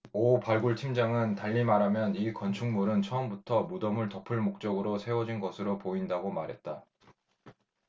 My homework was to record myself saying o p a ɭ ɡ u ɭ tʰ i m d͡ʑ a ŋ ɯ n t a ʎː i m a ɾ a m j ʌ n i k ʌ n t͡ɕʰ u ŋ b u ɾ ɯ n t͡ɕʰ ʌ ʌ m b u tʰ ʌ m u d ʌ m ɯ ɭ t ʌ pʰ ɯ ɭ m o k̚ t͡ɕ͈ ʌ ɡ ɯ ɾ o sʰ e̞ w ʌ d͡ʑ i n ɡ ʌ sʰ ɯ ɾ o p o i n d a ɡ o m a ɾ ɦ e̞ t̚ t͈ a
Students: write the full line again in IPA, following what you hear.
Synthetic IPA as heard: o p a ɭ ɡ u ɭ tʰ i m d͡ʑ a ŋ ɯ n t a ʎː i m a ɾ a m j ʌ n i k ʌ n t͡ɕʰ u ŋ m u ɾ ɯ n t͡ɕʰ ʌ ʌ m b u tʰ ʌ m u d ʌ m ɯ ɭ t ʌ pʰ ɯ ɭ m o k̚ t͡ɕ͈ ʌ ɡ ɯ ɾ o sʰ e̞ w ʌ d͡ʑ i n ɡ ʌ sʰ ɯ ɾ o p o i n d a ɡ o m a ɾ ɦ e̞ t̚ t͈ a